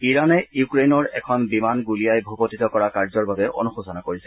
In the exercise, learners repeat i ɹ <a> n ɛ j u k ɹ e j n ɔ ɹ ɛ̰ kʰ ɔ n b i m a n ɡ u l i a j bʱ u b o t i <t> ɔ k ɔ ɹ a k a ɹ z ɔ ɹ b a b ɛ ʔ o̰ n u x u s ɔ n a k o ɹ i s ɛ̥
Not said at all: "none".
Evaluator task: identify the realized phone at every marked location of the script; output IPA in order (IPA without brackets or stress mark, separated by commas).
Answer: a, t